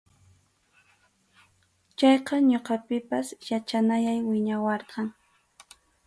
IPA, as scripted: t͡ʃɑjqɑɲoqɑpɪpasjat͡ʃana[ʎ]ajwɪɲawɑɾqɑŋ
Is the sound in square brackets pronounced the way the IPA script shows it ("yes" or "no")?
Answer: no